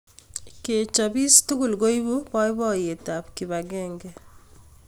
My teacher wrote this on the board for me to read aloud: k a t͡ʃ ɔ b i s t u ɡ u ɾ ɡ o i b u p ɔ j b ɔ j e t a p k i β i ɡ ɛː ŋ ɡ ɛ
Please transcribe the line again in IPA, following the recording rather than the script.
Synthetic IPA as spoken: k e t͡ʃ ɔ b i s t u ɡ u l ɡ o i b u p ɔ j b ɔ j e t a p k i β a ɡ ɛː ŋ ɡ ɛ